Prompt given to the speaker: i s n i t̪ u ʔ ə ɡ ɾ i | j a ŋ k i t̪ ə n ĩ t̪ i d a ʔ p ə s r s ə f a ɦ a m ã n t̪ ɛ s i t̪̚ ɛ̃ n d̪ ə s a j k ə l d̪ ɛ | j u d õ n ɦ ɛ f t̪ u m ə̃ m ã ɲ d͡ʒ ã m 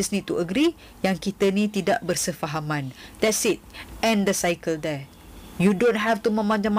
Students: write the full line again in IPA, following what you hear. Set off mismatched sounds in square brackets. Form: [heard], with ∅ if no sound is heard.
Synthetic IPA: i s n i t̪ u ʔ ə ɡ ɾ i | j a ŋ k i t̪ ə n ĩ t̪ i d a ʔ [b] ə [∅] r s ə f a ɦ a m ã n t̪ ɛ s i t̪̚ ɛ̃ n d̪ ə s a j k ə l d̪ ɛ | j u d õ n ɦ ɛ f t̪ u m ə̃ m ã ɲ d͡ʒ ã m